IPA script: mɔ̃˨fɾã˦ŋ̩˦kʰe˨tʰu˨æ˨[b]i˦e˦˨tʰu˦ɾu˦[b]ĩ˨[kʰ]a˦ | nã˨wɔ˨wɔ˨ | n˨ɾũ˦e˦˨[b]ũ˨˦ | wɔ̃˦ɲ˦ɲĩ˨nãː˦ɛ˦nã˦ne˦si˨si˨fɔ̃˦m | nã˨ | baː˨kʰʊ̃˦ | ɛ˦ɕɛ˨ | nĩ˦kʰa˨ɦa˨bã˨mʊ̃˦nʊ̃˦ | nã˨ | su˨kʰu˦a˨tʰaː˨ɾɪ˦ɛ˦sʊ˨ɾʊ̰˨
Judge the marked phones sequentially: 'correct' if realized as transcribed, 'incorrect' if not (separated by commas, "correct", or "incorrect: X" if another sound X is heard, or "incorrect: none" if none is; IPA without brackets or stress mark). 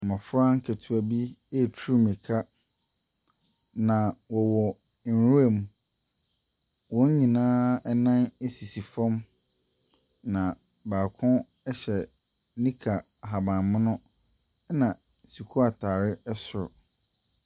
correct, incorrect: m, correct, incorrect: m